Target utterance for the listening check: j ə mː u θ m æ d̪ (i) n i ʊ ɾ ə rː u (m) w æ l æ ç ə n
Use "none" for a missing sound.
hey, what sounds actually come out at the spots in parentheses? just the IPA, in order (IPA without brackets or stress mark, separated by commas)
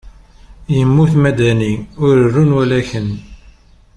æ, n